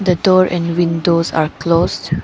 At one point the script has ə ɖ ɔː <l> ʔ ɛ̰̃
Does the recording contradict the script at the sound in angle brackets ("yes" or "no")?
yes